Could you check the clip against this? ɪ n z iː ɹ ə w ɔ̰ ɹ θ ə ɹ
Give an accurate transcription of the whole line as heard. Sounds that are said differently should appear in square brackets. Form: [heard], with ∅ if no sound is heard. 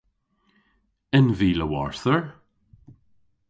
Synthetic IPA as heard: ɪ n [v] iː [l] ə w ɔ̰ ɹ θ ə ɹ